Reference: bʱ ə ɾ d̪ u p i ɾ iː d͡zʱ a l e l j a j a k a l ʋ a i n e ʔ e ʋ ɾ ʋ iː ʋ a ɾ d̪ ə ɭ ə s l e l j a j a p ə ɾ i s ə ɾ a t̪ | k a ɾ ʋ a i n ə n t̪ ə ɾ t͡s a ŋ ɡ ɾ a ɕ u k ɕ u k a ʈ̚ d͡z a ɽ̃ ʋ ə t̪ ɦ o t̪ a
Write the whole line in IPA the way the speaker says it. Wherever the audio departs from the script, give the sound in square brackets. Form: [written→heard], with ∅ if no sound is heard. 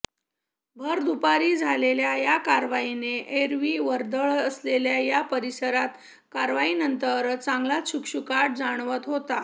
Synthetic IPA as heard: bʱ ə ɾ d̪ u p [i→a] ɾ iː d͡zʱ a l e l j a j a k a [l→ɾ] ʋ a i n e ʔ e [ʋ→∅] ɾ ʋ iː ʋ [a→ə] ɾ d̪ ə ɭ ə s l e l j a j a p ə ɾ i s ə ɾ a t̪ | k a ɾ ʋ a i n ə n t̪ ə ɾ t͡s a ŋ ɡ [ɾ→l] a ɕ u k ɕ u k a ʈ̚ d͡z a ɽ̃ ʋ ə t̪ ɦ o t̪ a